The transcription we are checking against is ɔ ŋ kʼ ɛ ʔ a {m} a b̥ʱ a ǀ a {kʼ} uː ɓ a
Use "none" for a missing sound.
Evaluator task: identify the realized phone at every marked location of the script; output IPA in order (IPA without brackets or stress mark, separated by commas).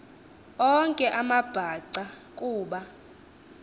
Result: m, kʼ